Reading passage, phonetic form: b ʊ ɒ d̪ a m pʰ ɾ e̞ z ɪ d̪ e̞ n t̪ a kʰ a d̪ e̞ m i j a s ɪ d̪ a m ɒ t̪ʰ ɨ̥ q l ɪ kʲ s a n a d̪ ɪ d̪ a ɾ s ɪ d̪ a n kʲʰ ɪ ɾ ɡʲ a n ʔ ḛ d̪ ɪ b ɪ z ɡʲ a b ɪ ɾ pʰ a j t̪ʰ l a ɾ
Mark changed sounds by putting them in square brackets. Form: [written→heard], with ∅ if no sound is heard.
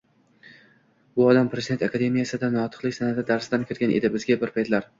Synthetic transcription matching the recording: b ʊ ɒ d̪ a m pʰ ɾ e̞ z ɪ d̪ e̞ n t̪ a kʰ a d̪ e̞ m i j a s ɪ d̪ a [m→n] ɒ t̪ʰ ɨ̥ q l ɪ kʲ s a n a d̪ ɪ d̪ a ɾ s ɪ d̪ a n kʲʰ ɪ ɾ ɡʲ a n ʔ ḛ d̪ ɪ b ɪ z ɡʲ a b ɪ ɾ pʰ a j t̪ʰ l a ɾ